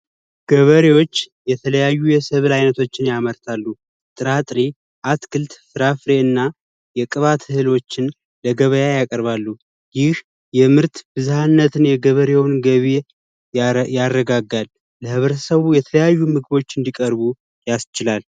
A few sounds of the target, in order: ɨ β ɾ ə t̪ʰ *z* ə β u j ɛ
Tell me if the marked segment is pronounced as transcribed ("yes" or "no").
no